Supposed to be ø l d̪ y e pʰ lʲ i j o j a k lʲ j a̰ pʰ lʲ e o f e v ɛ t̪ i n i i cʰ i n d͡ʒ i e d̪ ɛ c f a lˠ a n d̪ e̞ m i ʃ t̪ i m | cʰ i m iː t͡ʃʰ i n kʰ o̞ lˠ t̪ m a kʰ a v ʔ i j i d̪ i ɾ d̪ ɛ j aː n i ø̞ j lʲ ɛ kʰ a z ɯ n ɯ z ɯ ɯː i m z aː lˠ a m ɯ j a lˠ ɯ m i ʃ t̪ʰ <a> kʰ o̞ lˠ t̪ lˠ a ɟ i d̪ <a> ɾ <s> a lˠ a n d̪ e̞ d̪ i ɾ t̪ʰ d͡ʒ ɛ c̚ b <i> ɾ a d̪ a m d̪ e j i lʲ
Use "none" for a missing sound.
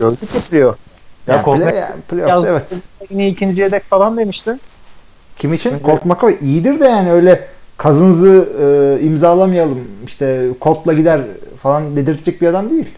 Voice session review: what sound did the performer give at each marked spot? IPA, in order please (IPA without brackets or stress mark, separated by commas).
ɛ, æ, f, i